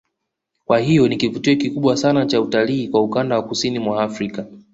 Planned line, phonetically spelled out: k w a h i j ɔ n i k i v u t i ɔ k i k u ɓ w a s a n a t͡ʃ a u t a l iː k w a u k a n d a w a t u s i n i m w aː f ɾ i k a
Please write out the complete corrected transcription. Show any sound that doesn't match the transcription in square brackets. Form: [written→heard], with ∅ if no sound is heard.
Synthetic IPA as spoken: k w a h i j ɔ n i k i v u t i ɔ k i k u ɓ w a s a n a t͡ʃ a u t a l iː k w a u k a n d a w a [t→k] u s i n i m w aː f ɾ i k a